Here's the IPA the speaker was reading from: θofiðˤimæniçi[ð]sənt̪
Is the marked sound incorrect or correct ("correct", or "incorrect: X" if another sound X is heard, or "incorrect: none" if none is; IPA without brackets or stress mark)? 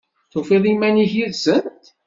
correct